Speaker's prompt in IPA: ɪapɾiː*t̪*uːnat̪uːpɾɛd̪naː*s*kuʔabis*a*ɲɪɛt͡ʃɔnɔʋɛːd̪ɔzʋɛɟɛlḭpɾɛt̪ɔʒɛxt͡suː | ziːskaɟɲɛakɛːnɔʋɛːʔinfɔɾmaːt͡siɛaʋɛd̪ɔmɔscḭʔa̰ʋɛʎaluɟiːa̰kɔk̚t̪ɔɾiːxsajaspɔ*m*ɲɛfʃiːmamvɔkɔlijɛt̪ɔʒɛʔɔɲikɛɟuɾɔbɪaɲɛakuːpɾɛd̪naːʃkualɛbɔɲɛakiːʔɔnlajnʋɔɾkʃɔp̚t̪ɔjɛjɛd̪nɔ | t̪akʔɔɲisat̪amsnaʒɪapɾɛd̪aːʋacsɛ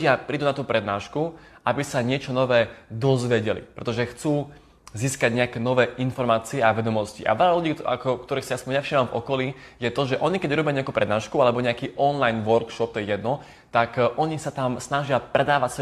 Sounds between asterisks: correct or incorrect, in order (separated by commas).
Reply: incorrect, incorrect, correct, incorrect